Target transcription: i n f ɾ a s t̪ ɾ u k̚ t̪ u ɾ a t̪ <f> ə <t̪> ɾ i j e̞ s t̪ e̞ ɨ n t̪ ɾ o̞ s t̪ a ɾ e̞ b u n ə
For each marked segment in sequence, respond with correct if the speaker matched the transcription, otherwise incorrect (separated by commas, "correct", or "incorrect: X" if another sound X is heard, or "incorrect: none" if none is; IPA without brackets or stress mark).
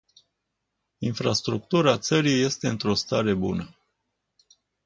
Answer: incorrect: s, incorrect: none